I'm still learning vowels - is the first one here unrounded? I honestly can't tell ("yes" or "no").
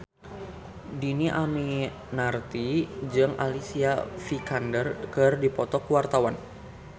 yes